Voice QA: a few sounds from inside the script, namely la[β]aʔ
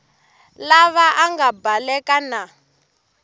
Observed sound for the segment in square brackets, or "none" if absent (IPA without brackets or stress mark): β